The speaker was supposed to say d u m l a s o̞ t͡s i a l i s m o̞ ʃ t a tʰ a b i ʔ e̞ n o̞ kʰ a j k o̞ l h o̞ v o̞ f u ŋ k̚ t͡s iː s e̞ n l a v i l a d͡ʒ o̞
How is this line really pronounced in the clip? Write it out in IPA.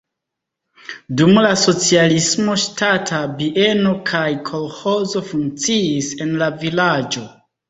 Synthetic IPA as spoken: d u m l a s o̞ t͡s i a l i s m o̞ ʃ t a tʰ a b i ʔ e̞ n o̞ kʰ a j kʰ o̞ l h o̞ z o̞ f u ŋ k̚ t͡s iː s e̞ n l a v i l a d͡ʒ o̞